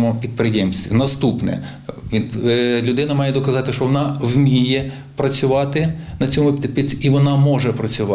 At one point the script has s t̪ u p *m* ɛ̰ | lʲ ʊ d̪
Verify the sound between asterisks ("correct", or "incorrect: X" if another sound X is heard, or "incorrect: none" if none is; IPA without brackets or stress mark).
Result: incorrect: n